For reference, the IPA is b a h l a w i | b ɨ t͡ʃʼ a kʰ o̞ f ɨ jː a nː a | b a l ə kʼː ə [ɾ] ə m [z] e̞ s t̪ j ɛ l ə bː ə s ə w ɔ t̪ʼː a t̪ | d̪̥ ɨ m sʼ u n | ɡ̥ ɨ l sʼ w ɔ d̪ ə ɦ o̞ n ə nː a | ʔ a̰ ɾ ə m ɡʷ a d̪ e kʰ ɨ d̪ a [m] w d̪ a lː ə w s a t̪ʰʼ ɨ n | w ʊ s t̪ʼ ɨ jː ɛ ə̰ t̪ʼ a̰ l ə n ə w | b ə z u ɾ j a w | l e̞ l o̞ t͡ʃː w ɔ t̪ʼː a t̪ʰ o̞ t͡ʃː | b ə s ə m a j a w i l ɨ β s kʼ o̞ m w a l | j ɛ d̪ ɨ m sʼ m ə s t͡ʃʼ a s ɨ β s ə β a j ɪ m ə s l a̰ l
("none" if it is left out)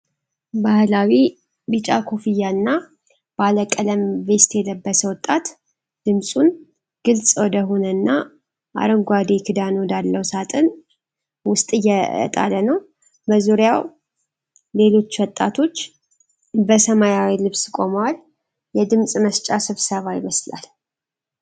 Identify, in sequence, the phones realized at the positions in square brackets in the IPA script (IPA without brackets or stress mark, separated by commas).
l, v, n